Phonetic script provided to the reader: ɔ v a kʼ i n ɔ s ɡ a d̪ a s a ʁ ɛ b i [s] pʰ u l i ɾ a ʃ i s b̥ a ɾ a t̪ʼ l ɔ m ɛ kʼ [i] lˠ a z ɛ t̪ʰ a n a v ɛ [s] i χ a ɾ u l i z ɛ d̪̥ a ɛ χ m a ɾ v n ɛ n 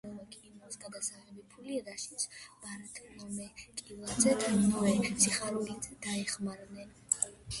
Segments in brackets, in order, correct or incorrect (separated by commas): incorrect, correct, correct